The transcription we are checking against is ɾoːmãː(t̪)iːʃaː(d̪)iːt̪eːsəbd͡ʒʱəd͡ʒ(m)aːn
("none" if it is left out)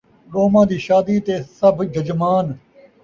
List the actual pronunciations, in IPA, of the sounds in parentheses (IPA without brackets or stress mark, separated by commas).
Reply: d̪, d̪, m